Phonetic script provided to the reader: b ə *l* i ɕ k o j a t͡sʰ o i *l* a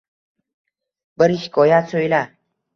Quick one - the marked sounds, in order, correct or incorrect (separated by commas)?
incorrect, correct